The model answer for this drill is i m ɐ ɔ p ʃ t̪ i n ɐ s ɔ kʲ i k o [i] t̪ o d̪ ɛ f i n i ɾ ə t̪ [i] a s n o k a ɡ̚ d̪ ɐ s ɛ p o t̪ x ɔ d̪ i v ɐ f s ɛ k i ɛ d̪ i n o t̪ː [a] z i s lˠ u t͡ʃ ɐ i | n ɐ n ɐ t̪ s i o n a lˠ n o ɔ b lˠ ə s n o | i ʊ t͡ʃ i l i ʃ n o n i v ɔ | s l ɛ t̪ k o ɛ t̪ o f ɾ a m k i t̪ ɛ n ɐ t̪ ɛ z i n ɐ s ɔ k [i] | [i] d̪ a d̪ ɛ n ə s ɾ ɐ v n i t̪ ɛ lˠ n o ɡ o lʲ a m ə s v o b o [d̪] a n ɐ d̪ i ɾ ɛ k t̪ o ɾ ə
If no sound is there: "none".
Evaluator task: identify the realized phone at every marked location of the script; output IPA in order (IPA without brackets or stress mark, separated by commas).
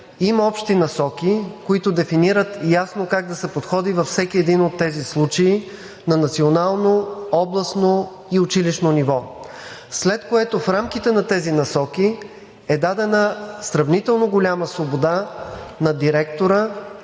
i, j, ɛ, i, ɛ, d̪